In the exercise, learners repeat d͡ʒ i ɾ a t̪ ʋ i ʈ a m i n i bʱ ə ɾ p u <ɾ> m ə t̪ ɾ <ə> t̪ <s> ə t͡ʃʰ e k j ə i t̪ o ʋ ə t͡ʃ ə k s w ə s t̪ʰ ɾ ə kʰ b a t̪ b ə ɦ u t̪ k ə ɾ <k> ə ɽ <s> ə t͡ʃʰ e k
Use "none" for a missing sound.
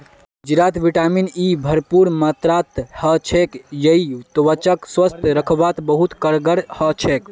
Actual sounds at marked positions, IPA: ɾ, a, h, ɡ, h

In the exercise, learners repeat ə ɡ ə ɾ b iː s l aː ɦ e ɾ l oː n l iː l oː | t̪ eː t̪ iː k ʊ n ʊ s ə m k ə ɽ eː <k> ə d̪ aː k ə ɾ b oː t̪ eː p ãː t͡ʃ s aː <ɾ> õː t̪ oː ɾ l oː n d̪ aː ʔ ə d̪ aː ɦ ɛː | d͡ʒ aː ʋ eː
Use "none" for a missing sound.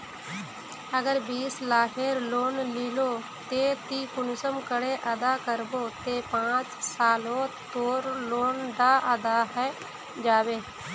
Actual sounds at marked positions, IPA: ʔ, l

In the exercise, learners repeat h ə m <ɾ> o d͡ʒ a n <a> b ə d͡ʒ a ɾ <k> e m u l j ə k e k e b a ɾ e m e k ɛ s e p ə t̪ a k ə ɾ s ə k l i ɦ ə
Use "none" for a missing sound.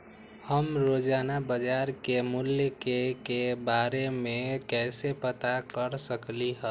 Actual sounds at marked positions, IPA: ɾ, a, k

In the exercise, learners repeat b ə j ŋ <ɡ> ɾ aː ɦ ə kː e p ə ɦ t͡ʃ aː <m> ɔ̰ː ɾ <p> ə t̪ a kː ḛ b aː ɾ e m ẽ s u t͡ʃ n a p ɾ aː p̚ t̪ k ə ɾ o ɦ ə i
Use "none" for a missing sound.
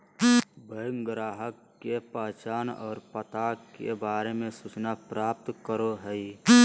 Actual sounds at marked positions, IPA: ɡ, n, p

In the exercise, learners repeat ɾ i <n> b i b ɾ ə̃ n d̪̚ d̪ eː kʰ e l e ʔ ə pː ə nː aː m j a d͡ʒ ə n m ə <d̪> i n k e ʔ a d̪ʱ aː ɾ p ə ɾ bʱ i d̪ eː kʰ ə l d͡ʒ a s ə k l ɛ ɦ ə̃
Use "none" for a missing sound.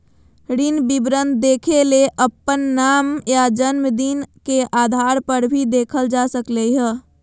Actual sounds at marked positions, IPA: n, d̪

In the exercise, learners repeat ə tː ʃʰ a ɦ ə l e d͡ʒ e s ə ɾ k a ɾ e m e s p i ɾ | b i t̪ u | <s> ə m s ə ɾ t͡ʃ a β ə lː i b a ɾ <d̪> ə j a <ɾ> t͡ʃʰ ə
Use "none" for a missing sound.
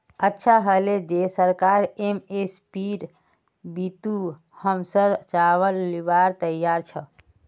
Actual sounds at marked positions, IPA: h, t̪, ɾ

